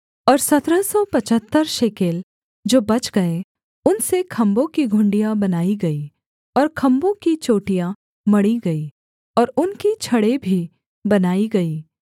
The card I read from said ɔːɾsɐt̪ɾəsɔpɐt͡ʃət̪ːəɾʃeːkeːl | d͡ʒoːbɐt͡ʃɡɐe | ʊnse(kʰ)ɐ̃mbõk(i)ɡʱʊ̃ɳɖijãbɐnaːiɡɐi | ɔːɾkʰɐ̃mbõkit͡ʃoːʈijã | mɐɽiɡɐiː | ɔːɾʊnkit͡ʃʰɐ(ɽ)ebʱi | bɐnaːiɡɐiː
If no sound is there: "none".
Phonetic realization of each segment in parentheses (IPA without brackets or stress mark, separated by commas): kʰ, i, ɽ